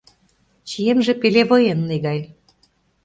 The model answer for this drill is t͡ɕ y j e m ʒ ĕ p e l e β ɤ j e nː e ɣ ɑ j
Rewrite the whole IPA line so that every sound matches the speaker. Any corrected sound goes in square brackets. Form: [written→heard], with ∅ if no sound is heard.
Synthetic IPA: t͡ɕ [y→i] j e m ʒ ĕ p e l e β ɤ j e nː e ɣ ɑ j